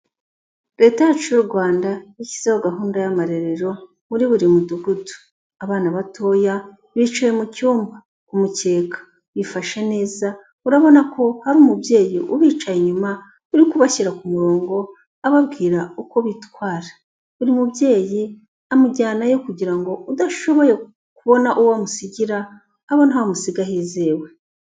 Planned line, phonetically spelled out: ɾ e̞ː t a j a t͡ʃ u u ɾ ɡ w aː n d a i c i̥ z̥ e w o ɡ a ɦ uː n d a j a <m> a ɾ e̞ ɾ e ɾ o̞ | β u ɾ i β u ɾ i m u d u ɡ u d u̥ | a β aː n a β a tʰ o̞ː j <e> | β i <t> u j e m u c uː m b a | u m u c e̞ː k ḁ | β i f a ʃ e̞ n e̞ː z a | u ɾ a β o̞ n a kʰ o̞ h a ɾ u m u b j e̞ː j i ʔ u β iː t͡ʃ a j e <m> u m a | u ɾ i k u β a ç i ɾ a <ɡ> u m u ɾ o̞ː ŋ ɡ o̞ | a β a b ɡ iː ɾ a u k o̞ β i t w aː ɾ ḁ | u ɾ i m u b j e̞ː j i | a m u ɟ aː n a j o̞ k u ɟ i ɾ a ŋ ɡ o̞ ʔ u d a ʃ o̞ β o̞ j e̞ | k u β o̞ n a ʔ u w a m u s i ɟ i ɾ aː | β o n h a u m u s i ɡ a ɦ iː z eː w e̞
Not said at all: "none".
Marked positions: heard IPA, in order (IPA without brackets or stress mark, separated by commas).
m, a, t͡ʃ, ɲ, k